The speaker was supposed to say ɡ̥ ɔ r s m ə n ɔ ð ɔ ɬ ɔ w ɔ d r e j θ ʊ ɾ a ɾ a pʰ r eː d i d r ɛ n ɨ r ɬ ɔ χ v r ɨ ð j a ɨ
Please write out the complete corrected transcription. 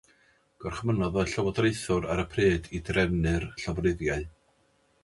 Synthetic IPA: ɡ̥ ɔ r χ m ə n ɔ ð ɔ ɬ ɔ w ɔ d r e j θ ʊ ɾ a ɾ ə pʰ r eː d i d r ɛ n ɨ r ɬ ɔ v r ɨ ð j a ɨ